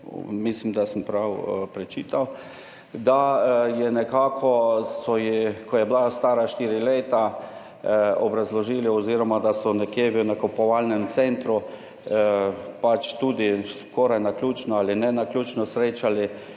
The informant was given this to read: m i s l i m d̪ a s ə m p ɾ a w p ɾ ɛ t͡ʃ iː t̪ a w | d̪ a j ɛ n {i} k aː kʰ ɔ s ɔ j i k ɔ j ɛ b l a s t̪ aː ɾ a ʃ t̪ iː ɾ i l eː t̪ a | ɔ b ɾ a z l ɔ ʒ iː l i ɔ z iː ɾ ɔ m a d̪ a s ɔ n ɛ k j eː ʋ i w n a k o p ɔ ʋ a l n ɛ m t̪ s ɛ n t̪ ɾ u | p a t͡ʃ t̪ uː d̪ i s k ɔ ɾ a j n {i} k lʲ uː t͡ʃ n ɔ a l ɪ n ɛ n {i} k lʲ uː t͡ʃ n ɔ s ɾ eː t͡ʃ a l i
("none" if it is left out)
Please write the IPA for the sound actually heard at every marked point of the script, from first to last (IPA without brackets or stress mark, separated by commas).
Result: ɛ, a, a